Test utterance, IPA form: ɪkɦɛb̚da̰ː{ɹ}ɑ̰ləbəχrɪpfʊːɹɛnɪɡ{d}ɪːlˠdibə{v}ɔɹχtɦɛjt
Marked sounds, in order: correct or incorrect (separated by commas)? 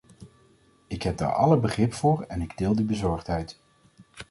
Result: correct, correct, incorrect